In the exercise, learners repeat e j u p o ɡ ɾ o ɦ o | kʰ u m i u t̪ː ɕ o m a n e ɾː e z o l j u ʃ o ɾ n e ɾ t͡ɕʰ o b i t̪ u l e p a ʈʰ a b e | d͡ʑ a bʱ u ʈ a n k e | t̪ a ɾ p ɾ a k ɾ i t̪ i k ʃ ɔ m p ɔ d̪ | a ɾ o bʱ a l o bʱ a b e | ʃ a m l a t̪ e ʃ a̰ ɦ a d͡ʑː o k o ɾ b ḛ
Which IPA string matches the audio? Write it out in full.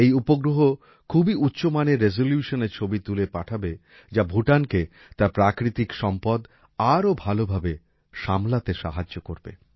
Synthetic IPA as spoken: e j u p o ɡ ɾ o ɦ o | kʰ u b i u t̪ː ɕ o m a n e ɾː e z o l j u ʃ o n e ɾ t͡ɕʰ o b i t̪ u l e p a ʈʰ a b e | d͡ʑ a bʱ u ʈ a n k e | t̪ a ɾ p ɾ a k ɾ i t̪ i k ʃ ɔ m p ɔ d̪ | a ɾ o bʱ a l o bʱ a b e | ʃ a m l a t̪ e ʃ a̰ ɦ a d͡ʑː o k o ɾ b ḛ